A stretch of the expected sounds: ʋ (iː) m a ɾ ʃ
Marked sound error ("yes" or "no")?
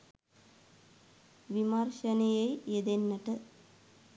yes